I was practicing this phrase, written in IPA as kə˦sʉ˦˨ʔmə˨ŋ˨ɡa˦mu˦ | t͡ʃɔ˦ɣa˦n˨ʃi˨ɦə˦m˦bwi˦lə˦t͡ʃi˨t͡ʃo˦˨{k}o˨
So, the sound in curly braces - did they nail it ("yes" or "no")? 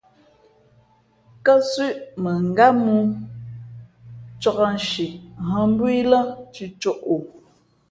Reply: no